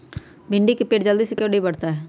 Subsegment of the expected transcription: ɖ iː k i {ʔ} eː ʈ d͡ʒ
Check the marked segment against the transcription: incorrect: p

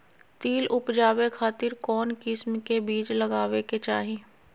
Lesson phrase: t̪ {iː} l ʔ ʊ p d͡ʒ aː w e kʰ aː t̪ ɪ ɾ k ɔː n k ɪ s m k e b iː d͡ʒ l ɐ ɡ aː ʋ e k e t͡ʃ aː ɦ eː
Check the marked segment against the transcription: correct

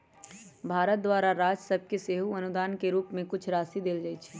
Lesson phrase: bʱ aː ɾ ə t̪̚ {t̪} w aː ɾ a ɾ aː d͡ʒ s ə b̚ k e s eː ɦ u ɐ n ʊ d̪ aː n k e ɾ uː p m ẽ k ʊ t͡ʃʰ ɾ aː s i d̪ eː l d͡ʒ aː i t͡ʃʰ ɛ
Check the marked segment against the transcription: incorrect: d̪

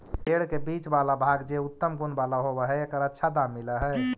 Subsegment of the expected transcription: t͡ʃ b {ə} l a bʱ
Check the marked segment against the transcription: incorrect: a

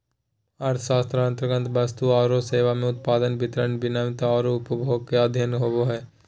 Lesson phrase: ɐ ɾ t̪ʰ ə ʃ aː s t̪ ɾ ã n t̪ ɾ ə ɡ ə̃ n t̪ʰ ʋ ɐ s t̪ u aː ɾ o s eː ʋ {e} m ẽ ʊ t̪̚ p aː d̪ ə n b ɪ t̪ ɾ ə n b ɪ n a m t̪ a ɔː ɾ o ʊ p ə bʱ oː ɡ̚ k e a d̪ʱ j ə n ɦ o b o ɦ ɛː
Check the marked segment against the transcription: incorrect: a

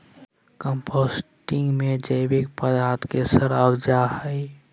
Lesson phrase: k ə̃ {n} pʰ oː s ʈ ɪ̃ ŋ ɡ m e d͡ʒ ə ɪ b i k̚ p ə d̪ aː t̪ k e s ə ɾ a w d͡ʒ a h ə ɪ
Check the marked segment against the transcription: incorrect: m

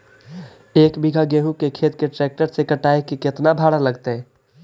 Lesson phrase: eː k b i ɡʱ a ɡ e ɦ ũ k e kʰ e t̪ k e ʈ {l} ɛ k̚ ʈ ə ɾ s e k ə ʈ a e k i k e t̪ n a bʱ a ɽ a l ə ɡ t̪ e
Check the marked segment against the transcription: incorrect: ɾ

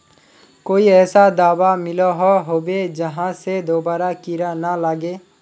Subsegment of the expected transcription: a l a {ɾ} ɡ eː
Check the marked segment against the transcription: incorrect: none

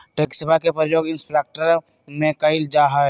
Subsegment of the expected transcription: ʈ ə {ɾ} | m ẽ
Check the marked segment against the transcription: correct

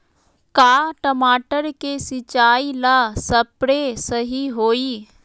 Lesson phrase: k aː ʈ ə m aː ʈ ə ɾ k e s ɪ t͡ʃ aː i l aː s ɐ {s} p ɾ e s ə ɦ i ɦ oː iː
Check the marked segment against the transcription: incorrect: none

